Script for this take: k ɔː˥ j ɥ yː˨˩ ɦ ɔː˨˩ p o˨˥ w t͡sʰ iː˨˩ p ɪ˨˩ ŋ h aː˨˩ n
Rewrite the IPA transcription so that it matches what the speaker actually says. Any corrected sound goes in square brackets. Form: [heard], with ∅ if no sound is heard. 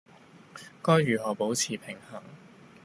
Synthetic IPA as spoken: k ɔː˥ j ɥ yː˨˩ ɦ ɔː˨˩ p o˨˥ w t͡sʰ iː˨˩ [pʰ] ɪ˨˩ ŋ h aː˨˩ [ŋ]